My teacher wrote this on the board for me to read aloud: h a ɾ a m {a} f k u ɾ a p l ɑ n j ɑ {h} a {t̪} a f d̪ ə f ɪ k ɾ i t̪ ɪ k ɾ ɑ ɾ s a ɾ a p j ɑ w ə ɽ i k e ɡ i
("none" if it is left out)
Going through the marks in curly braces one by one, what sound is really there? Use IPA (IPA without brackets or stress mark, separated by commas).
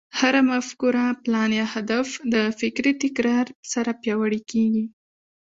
a, h, d̪